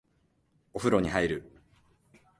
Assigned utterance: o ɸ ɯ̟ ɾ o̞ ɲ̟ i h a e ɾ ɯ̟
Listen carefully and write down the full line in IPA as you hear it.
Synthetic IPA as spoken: o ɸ ɯ̟ ɾ o̞ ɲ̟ i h a i ɾ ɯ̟